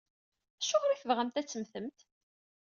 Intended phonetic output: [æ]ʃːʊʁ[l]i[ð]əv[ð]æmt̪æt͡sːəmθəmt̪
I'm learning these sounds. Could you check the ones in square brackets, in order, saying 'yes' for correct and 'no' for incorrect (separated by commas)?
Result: yes, no, no, no